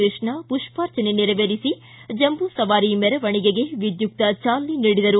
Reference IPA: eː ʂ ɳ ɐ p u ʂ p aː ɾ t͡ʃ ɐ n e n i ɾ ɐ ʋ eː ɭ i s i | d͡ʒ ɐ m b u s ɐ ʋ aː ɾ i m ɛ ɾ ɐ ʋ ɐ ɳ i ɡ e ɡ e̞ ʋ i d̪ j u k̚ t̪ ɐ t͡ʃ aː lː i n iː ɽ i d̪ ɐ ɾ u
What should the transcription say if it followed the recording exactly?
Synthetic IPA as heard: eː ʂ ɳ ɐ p u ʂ p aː ɾ t͡ʃ ɐ n e n i ɾ ɐ ʋ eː ɾ i s i | d͡ʒ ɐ m b u s ɐ ʋ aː ɾ i m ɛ ɾ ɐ ʋ ɐ ɳ i ɡ e ɡ e̞ ʋ i d̪ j u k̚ t̪ ɐ t͡ʃ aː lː i n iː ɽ i d̪ ɐ ɾ u